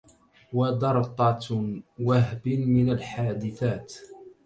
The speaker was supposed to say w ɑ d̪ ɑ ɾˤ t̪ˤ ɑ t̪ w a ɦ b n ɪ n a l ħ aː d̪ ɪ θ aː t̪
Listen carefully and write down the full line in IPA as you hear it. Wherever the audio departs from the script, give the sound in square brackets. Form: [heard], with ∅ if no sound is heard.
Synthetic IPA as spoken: w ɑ d̪ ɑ ɾˤ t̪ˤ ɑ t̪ w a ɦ b [m] ɪ n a l ħ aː d̪ ɪ θ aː t̪